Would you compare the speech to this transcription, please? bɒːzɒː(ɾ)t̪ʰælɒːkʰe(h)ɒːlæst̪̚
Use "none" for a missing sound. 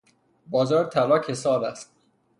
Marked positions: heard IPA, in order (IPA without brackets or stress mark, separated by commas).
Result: ɾ, s